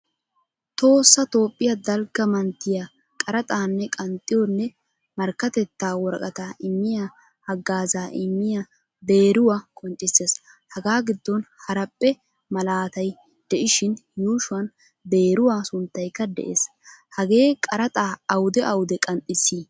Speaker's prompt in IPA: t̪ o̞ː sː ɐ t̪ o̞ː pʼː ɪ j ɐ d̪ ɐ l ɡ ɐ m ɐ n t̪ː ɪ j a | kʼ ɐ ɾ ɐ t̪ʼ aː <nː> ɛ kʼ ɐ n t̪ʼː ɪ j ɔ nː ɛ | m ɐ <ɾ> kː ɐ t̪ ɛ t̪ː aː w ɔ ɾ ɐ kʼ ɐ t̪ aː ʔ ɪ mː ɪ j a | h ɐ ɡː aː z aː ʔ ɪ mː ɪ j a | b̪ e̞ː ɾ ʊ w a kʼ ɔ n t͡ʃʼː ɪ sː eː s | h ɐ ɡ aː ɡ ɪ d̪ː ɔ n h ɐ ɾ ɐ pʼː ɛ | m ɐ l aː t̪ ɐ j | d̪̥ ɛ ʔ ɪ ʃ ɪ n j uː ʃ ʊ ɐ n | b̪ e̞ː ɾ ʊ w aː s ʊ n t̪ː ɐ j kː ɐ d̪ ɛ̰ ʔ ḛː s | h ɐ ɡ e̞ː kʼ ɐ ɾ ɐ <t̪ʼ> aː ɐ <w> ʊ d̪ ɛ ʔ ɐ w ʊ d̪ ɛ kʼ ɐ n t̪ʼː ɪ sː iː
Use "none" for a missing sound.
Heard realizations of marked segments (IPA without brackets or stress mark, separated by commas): nː, ɾ, t̪ʼ, w